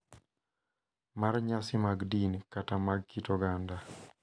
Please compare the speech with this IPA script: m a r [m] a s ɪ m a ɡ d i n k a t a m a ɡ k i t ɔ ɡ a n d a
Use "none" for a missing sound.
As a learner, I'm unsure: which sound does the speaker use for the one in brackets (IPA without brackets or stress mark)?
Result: ɲ